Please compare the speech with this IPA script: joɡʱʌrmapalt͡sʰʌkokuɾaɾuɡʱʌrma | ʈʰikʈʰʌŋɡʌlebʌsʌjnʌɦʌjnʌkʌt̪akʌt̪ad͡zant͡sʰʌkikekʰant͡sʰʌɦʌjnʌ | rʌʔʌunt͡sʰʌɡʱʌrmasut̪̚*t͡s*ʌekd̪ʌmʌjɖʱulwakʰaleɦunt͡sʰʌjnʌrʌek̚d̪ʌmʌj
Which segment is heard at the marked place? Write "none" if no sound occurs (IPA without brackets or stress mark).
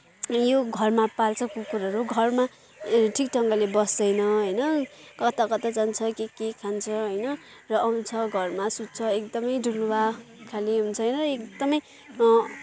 t͡sʰ